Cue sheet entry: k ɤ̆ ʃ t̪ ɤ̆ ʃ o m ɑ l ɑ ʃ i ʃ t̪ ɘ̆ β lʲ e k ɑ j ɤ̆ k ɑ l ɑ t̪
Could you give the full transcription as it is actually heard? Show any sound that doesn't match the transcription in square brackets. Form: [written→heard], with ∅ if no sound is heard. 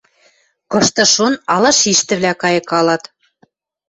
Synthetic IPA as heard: k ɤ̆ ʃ t̪ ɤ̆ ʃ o [m→n] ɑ l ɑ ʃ i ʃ t̪ ɘ̆ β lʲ [e→æ] k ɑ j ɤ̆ k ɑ l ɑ t̪